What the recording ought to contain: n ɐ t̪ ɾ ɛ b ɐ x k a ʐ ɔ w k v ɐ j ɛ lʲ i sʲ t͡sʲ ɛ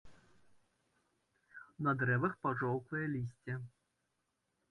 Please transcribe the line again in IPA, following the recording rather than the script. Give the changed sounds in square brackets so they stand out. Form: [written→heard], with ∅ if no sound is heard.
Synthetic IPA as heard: n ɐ [t̪→d̪] ɾ ɛ [b→v] ɐ x [k→p] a ʐ ɔ w k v ɐ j ɛ lʲ i sʲ t͡sʲ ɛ